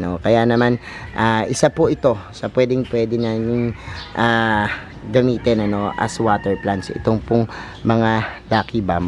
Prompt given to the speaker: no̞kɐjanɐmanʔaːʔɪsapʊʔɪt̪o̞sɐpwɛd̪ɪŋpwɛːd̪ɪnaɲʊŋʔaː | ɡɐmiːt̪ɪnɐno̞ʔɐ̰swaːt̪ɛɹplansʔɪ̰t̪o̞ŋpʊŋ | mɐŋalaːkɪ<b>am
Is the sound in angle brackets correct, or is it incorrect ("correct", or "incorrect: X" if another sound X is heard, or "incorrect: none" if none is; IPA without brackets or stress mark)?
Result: correct